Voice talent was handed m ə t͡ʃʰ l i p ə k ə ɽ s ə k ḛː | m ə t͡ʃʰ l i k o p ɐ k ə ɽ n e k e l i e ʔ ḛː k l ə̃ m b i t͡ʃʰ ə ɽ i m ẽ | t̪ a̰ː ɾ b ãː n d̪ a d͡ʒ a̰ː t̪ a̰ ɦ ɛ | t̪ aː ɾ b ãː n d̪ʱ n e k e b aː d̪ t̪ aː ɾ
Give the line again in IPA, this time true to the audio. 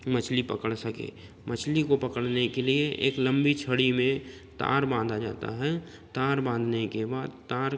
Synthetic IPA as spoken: m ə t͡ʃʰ l i p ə k ə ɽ s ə k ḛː | m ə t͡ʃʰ l i k o p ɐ k ə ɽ n e k e l i e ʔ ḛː k l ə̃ m b i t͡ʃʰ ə ɽ i m ẽ | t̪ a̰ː ɾ b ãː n d̪ a d͡ʒ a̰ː t̪ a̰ ɦ ɛ | t̪ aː ɾ b ãː n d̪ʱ n e k e b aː d̪ t̪ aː ɾ